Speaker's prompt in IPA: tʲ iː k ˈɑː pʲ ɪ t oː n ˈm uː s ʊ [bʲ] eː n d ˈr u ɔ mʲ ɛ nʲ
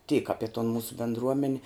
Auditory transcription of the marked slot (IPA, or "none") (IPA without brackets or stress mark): bʲ